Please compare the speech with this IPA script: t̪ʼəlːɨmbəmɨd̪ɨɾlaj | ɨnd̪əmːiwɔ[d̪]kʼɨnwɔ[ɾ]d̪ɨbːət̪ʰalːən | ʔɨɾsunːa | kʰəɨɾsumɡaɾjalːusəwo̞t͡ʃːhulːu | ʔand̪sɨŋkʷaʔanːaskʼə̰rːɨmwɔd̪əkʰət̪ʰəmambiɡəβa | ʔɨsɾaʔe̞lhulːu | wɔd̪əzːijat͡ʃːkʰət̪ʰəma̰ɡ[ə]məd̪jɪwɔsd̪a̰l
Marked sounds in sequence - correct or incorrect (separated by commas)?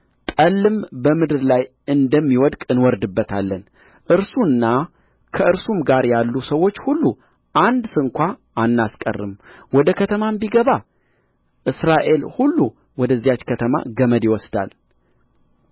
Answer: correct, correct, correct